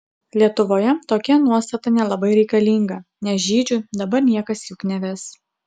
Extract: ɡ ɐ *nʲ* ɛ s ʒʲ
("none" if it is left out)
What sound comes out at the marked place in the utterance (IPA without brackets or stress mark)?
nʲ